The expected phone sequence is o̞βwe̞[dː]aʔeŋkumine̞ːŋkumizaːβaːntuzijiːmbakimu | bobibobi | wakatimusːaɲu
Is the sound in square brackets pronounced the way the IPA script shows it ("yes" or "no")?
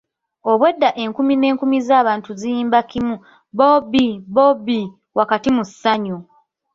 yes